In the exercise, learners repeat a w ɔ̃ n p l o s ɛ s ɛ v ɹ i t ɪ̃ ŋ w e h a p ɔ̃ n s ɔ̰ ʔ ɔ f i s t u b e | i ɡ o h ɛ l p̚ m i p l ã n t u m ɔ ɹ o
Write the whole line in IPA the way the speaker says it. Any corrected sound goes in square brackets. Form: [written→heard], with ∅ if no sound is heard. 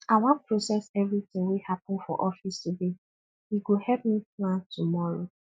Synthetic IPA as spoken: a w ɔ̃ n p [l→ɹ] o s ɛ s ɛ v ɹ i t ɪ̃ ŋ w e h a p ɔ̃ n [s→f] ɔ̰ ʔ ɔ f i s t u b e | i ɡ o h ɛ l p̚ m i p l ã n t u m ɔ ɹ o